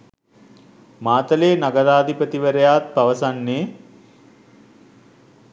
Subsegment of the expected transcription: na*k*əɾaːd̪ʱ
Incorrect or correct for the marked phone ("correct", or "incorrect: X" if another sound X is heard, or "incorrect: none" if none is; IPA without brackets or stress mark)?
incorrect: ɡ